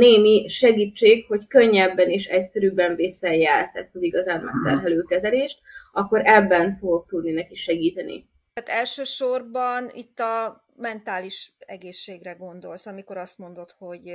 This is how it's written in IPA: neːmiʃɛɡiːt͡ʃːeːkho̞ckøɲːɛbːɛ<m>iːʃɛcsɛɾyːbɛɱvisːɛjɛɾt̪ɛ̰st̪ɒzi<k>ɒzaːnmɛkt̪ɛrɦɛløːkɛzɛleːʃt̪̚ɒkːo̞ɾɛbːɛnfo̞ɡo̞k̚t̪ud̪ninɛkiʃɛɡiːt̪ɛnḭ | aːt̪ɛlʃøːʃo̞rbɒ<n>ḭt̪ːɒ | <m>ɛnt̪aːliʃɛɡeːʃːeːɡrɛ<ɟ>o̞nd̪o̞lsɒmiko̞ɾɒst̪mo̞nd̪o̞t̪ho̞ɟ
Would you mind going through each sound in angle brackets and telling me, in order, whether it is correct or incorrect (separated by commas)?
incorrect, incorrect, correct, correct, incorrect